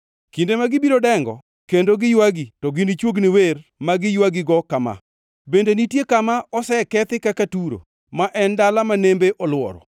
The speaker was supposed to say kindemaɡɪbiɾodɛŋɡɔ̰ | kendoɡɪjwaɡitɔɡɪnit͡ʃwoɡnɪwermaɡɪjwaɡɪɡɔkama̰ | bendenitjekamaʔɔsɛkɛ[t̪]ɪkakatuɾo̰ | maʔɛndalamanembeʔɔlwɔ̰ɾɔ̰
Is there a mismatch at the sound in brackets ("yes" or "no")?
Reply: no